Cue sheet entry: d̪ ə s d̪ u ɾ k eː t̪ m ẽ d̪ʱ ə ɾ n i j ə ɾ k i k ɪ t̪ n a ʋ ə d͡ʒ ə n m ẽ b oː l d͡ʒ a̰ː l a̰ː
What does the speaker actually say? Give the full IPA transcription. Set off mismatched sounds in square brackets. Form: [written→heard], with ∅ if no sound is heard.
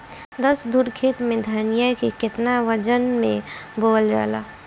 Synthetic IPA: d̪ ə s d̪ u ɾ [k→kʰ] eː t̪ m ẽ d̪ʱ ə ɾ n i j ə [ɾ→∅] k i k ɪ t̪ n a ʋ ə d͡ʒ ə n m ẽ b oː l d͡ʒ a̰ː l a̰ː